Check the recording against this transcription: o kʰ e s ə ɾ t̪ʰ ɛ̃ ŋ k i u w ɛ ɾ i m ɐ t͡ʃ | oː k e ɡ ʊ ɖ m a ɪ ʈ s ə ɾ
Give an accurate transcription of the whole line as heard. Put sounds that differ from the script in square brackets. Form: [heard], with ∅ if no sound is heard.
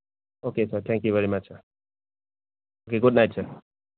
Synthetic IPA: o [k] e s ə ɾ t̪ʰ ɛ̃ ŋ k [j] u [ʋ] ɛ ɾ i m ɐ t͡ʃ | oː k e ɡ ʊ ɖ [n] a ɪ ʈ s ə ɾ